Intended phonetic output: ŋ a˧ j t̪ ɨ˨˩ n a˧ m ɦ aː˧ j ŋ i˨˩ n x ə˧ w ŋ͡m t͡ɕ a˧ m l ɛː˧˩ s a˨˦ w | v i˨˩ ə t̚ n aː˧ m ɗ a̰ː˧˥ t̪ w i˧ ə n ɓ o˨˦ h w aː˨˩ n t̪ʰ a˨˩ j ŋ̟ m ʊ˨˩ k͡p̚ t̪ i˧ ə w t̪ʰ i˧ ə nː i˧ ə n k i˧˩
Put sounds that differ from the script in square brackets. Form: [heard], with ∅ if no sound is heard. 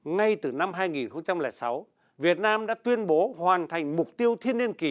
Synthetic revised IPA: ŋ a˧ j t̪ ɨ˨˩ n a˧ m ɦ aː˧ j ŋ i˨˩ n x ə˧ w ŋ͡m t͡ɕ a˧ m l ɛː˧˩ s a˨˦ w | v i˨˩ ə t̚ n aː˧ m ɗ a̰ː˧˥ t̪ w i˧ ə n ɓ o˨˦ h w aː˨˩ n t̪ʰ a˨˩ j ŋ̟ m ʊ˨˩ k͡p̚ t̪ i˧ ə w t̪ʰ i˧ ə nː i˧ ə n k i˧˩